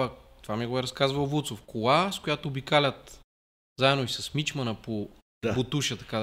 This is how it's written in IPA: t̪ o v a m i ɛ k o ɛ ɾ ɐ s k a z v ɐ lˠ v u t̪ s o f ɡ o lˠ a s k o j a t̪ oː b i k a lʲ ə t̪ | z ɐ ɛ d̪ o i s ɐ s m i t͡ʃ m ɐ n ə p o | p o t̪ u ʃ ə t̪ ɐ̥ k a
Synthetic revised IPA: t̪ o v a m i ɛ ɡ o ɛ ɾ ɐ s k a z v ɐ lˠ v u t̪ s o f k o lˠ a s k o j a t̪ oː b i k a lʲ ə t̪ | z a ɛ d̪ o i s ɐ s m i t͡ʃ m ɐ n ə p o | p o t̪ u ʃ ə t̪ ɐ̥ k a